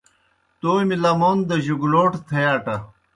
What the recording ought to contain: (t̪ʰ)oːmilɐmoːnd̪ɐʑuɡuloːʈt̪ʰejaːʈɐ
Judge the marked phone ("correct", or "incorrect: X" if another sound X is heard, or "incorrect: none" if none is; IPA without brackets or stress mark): incorrect: t̪